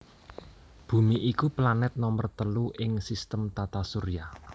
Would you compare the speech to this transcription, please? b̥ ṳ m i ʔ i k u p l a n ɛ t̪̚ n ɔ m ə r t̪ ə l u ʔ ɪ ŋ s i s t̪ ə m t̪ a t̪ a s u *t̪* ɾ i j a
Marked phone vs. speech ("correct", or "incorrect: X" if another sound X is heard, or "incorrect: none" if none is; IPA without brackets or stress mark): incorrect: none